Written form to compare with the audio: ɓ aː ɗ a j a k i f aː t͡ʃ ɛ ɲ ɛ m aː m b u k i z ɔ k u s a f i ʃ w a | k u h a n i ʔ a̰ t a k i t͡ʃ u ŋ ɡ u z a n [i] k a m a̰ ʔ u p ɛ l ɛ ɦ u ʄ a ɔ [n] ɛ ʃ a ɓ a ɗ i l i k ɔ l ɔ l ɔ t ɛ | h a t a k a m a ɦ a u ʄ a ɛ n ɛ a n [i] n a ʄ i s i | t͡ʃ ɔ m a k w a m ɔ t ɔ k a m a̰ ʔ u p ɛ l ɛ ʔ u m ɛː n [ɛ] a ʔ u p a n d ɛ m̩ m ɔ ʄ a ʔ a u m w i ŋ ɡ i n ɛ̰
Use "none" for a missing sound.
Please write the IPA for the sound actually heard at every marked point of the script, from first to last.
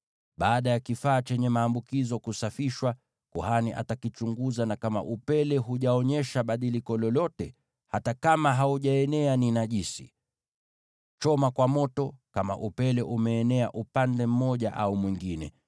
a, ɲ, i, ɛ

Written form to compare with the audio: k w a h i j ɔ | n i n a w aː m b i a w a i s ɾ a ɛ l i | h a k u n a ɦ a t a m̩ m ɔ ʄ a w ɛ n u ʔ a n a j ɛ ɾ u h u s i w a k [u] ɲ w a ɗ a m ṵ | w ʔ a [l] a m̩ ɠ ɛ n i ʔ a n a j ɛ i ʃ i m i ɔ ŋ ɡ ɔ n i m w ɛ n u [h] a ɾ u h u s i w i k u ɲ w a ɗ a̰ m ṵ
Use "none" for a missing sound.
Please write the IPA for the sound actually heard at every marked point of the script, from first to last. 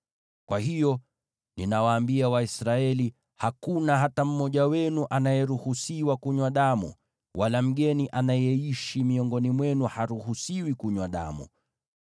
u, l, h

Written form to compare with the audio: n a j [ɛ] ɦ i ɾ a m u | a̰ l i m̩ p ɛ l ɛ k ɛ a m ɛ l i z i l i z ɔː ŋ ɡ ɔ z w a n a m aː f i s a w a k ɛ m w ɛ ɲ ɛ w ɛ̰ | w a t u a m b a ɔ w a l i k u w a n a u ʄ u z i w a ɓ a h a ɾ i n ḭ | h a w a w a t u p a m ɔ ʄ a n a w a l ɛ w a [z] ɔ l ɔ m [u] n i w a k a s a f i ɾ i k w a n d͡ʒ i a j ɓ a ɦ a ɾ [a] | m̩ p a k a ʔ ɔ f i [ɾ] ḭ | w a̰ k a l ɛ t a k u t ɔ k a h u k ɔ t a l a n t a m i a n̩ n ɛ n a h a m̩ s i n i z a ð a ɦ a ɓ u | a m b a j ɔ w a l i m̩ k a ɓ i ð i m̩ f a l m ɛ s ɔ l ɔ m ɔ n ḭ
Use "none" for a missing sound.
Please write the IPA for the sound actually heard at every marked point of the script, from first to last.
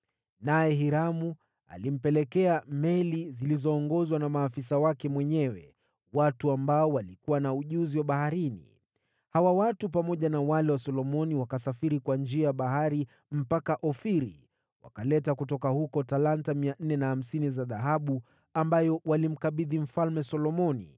ɛ, s, ɔ, i, ɾ

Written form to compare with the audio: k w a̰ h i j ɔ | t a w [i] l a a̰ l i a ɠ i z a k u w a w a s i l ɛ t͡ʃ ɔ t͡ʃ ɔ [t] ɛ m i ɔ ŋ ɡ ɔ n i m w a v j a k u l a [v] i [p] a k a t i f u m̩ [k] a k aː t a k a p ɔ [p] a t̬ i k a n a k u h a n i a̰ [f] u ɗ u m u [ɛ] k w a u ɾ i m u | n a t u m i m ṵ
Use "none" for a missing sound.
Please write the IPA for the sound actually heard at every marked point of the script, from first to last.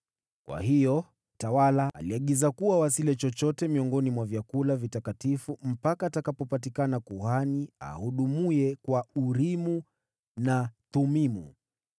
a, t, v, t, p, p, h, ɛ

